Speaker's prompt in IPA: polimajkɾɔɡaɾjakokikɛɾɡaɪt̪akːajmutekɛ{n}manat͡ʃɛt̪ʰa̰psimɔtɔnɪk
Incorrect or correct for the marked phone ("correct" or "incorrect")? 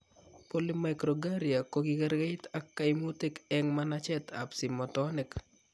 incorrect